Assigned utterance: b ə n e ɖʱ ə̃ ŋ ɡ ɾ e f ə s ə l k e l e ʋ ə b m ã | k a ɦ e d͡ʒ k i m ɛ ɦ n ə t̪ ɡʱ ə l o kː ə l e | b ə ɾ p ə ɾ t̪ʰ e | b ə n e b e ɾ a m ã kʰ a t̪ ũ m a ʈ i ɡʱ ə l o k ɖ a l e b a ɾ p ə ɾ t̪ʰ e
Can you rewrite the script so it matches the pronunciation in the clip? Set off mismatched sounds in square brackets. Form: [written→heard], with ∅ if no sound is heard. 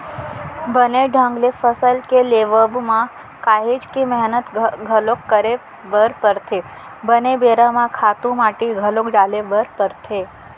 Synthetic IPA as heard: b ə n e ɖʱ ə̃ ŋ ɡ [ɾ→l] e f ə s ə l k e l e ʋ ə b m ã | k a ɦ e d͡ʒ k i m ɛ ɦ n ə t̪ ɡʱ ə l o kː ə [l→ɾ] e | b ə ɾ p ə ɾ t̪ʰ e | b ə n e b e ɾ a m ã kʰ a t̪ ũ m a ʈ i ɡʱ ə l o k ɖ a l e b [a→ə] ɾ p ə ɾ t̪ʰ e